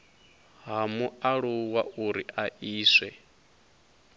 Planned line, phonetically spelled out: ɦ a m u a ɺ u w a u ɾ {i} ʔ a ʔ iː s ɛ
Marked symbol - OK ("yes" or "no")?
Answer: yes